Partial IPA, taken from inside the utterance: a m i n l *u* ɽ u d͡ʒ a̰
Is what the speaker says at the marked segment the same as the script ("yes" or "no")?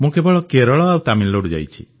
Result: no